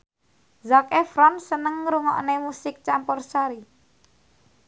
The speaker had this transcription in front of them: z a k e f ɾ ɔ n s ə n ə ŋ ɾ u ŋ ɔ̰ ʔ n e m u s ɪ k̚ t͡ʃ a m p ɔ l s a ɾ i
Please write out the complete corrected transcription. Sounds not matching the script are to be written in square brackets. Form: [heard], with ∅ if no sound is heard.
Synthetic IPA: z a k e f ɾ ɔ n s ə n ə ŋ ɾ u ŋ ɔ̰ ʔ n e m u s ɪ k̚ t͡ʃ a m p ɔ [r] s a ɾ i

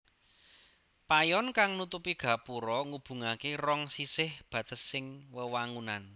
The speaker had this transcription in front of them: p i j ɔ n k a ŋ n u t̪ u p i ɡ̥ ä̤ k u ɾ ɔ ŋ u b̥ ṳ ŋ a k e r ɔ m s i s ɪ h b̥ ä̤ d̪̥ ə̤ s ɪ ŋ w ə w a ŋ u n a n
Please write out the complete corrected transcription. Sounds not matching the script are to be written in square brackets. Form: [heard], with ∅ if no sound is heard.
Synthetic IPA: p [a] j ɔ n k a ŋ n u t̪ u p i ɡ̥ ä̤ [p] u ɾ ɔ ŋ u b̥ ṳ ŋ a k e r ɔ [ŋ] s i s ɪ h b̥ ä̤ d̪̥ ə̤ s ɪ ŋ w ə w a ŋ u n a n

